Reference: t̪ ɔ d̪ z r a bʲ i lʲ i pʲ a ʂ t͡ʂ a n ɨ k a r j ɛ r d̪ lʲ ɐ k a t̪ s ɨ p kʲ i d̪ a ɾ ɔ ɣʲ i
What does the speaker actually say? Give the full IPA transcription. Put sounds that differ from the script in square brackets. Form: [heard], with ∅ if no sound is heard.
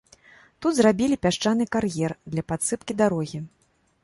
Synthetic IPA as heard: t̪ [u] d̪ z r a bʲ i lʲ i pʲ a ʂ t͡ʂ a n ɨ k a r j ɛ r d̪ lʲ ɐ [p] a t̪ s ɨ p kʲ i d̪ a ɾ ɔ ɣʲ i